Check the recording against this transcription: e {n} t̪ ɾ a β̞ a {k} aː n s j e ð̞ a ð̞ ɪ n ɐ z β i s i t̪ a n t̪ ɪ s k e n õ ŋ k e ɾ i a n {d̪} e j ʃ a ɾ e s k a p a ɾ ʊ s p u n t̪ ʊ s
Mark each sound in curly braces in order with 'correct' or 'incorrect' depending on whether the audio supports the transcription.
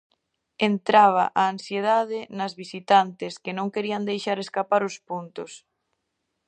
correct, incorrect: ʔ, correct

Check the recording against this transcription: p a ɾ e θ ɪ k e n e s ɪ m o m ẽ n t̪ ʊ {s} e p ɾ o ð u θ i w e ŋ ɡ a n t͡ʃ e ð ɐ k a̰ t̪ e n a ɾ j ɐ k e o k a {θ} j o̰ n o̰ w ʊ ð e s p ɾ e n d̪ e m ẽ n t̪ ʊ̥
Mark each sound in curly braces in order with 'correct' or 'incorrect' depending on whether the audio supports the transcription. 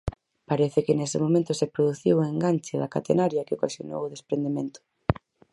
correct, incorrect: s

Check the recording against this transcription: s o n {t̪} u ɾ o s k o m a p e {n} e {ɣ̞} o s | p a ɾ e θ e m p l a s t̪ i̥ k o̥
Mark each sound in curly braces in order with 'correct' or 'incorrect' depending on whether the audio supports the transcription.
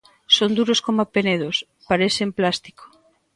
incorrect: d̪, correct, incorrect: ð̞

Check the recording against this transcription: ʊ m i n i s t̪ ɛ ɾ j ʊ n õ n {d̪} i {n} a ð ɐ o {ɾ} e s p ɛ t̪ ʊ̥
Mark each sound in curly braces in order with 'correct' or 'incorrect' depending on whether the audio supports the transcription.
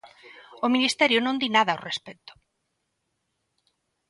correct, correct, incorrect: r

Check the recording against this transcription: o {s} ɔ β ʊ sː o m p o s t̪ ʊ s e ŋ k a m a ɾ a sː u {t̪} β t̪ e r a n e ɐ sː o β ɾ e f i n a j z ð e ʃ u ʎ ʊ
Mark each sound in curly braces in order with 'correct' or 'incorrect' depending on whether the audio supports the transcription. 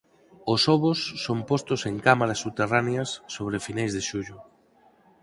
correct, incorrect: none

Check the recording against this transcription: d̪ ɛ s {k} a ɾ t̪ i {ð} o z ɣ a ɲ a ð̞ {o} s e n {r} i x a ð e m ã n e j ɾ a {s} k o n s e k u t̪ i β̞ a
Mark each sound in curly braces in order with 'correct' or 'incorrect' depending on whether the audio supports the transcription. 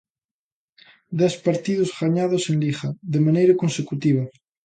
incorrect: p, correct, correct, incorrect: l, incorrect: none

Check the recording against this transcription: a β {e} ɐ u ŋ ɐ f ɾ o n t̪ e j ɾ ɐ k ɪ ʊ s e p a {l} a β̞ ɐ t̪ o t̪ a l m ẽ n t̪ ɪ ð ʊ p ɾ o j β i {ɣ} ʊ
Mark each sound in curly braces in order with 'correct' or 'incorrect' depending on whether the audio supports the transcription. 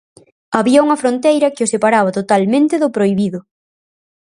incorrect: i, incorrect: ɾ, incorrect: ð

